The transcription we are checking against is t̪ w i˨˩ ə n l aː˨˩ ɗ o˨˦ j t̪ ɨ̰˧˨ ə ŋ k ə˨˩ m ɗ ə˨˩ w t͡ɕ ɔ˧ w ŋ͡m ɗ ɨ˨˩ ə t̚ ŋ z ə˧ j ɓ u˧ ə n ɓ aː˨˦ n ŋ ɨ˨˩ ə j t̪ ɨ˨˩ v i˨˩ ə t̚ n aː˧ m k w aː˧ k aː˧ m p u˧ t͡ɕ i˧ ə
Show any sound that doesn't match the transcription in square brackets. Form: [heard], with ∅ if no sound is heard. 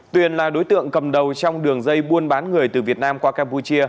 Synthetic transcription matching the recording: t̪ w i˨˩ ə n l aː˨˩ ɗ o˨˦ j t̪ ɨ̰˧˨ ə ŋ k ə˨˩ m ɗ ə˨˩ w t͡ɕ ɔ˧ w ŋ͡m ɗ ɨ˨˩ ə [∅] ŋ z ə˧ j ɓ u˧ ə n ɓ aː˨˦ n ŋ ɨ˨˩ ə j t̪ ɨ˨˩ v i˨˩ ə t̚ n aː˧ m k w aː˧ k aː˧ m p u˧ t͡ɕ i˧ ə